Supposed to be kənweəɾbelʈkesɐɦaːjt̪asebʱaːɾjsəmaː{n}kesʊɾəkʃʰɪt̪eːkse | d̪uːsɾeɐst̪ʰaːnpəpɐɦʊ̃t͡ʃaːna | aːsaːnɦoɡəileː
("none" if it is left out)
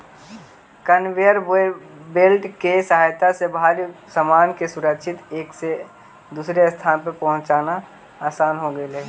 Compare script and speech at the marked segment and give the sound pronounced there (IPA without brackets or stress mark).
n